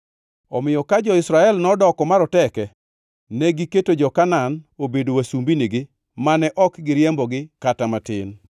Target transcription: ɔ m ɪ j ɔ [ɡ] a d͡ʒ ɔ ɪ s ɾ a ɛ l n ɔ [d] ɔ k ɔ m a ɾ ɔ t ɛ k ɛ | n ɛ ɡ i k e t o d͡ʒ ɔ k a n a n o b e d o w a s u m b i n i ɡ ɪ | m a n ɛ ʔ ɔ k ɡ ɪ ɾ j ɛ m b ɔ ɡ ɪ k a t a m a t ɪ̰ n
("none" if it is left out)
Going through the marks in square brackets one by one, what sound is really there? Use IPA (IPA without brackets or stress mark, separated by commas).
k, d